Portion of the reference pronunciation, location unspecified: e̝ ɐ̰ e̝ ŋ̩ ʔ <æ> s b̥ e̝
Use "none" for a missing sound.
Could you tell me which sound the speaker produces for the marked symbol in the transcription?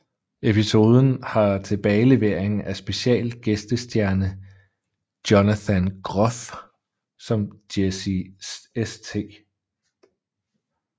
æ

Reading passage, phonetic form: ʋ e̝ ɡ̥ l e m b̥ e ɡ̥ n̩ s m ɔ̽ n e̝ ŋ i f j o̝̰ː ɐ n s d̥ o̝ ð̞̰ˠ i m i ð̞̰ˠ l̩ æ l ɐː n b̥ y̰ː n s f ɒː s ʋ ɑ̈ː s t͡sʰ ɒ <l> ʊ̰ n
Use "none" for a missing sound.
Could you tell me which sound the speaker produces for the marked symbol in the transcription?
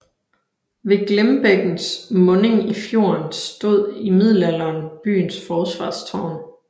none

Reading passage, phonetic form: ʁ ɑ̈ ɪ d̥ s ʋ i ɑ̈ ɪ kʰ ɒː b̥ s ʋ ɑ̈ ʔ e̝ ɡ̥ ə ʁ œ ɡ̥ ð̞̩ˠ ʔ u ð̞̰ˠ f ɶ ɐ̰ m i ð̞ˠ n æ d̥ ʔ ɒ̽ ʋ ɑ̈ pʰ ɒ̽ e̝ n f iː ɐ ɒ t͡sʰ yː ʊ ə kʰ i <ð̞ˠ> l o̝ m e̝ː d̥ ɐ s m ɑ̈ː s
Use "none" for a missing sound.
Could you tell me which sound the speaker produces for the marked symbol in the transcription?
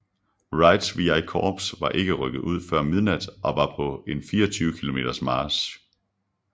none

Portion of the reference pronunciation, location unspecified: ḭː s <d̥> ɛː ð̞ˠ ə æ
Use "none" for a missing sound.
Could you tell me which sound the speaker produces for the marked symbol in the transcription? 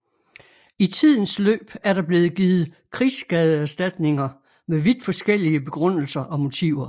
ɡ̥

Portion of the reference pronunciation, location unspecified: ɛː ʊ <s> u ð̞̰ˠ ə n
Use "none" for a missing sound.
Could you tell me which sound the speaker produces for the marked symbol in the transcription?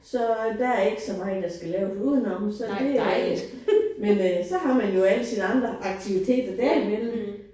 s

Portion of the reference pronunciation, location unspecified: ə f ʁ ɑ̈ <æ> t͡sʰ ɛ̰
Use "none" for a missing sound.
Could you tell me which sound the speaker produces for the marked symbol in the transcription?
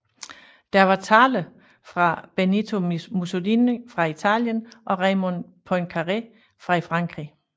i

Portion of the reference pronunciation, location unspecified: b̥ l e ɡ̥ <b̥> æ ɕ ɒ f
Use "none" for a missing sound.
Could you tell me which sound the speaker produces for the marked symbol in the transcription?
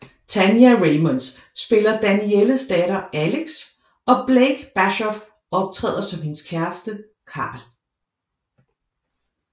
b̥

